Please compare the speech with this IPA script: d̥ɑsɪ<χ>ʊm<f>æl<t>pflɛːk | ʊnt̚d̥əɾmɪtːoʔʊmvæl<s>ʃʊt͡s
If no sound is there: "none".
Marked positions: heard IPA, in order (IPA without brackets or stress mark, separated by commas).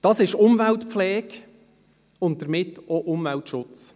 ʃ, v, t, t